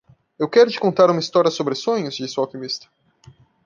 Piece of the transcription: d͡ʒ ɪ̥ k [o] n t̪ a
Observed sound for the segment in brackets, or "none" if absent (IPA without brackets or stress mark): õ